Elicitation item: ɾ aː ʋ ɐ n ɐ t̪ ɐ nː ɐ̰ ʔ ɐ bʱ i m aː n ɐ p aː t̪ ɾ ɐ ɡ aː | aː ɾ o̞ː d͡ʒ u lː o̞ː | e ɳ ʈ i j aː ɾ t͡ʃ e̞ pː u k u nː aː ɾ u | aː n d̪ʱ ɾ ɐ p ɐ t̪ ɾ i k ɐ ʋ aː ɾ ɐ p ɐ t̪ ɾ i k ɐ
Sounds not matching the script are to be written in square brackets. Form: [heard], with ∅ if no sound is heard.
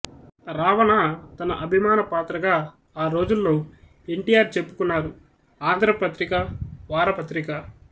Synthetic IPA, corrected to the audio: ɾ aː ʋ ɐ n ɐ t̪ ɐ [n] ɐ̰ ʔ ɐ bʱ i m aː n ɐ p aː t̪ ɾ ɐ ɡ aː | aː ɾ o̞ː d͡ʒ u lː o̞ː | e ɳ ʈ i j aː ɾ t͡ʃ e̞ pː u k u nː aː ɾ u | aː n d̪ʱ ɾ ɐ p ɐ t̪ ɾ i k ɐ ʋ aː ɾ ɐ p ɐ t̪ ɾ i k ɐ